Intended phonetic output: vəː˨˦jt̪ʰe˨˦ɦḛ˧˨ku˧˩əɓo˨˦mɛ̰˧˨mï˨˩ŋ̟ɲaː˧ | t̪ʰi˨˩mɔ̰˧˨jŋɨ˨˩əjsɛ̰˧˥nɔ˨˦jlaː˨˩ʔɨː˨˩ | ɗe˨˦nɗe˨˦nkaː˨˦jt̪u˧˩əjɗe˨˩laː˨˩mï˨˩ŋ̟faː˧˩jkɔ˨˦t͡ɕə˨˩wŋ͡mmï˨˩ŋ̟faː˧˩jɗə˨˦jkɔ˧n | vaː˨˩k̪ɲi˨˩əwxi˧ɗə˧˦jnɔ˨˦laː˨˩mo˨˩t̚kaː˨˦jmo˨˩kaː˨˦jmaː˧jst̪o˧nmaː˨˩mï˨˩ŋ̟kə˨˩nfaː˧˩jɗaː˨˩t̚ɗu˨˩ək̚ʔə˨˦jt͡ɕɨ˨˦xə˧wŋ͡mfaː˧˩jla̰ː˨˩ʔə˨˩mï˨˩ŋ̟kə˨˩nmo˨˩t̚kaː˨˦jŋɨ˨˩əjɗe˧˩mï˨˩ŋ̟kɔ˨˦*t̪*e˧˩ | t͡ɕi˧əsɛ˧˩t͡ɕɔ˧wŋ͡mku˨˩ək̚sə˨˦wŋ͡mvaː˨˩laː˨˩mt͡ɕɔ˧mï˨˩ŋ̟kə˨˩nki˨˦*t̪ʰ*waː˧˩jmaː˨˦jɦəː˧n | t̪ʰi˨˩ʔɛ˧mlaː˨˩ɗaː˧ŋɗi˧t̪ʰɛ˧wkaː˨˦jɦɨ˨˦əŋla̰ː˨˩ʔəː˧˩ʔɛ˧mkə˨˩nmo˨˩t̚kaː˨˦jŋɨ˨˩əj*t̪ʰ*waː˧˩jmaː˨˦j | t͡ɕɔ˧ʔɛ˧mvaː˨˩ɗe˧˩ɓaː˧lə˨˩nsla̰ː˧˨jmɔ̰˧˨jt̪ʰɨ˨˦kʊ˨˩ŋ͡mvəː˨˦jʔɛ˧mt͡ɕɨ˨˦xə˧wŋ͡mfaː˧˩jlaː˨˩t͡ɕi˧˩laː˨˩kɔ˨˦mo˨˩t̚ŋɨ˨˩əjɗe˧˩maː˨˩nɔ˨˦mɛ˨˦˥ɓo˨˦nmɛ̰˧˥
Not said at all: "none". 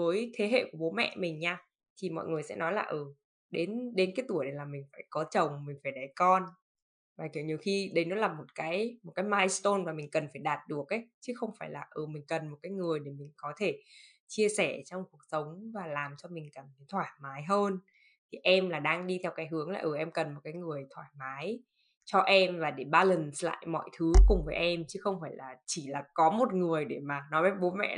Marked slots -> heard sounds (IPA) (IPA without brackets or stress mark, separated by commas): t̪ʰ, t̪ʰ, t̪ʰ